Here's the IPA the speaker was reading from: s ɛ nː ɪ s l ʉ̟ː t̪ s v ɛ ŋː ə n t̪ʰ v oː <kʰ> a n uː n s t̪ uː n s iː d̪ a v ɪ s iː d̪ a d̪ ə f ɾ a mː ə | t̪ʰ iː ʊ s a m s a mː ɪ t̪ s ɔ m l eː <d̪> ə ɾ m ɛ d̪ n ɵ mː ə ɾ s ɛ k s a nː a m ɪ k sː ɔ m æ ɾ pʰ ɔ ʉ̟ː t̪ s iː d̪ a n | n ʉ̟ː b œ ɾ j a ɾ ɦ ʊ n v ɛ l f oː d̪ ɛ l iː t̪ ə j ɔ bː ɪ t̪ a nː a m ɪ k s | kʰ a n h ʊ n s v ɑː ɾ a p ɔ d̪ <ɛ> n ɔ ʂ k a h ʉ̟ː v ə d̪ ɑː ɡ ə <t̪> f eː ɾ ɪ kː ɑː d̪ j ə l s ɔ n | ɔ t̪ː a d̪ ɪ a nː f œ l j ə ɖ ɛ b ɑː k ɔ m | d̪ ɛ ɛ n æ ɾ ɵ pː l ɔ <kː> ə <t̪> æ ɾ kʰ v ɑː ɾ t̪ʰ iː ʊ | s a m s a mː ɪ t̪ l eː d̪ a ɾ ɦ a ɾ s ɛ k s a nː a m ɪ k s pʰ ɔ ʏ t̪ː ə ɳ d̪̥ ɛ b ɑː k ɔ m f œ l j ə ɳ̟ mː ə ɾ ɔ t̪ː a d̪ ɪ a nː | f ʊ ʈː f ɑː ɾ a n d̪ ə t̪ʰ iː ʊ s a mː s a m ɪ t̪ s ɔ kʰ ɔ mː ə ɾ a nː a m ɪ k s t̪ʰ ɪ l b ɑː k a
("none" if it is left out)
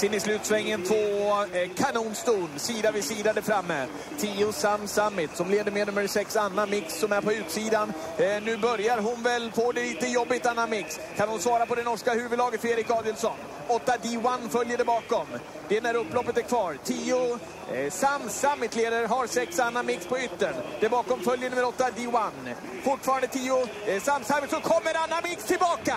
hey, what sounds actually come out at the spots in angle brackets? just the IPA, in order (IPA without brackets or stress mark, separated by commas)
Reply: kʰ, d̪, ɛ, t̪, pː, t̪